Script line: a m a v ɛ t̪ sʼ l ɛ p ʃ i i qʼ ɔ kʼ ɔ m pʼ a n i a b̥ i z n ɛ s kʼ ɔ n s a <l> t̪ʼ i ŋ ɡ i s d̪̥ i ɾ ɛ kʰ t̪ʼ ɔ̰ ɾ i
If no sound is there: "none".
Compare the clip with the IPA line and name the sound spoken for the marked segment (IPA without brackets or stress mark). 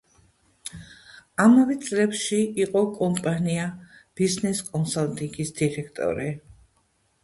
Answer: l